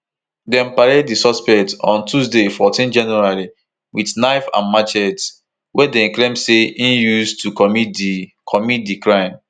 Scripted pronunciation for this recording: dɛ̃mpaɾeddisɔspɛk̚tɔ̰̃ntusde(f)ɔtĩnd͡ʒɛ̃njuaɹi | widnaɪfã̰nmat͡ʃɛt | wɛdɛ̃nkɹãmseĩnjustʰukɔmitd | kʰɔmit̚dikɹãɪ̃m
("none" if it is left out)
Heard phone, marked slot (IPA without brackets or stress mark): f